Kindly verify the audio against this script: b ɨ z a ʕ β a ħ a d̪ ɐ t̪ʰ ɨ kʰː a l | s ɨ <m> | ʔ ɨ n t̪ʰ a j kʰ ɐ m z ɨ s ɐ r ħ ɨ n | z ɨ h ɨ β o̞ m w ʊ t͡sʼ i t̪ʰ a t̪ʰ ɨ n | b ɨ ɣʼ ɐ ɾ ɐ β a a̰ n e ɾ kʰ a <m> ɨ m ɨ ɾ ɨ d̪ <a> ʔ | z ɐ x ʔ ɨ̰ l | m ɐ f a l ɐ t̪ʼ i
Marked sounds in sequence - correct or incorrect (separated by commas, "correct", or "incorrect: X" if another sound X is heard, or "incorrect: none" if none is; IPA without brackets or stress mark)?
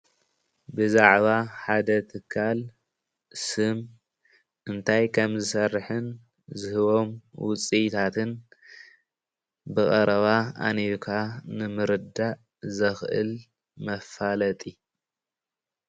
correct, incorrect: n, correct